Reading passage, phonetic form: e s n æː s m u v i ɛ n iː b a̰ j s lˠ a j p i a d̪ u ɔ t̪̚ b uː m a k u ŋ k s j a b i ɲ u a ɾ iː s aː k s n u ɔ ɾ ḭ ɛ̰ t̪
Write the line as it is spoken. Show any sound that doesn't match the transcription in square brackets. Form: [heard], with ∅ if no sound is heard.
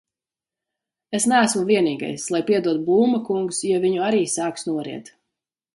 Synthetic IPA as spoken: e s n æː s m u v i ɛ n iː [ɡ] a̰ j s lˠ a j p i [ɛ] d̪ u ɔ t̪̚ b uː m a k u ŋ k s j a [v] i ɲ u a ɾ iː s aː k s n u ɔ ɾ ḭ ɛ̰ t̪